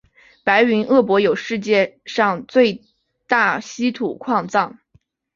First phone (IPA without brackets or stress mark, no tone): p